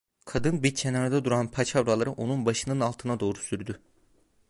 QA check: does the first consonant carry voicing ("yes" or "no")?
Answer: no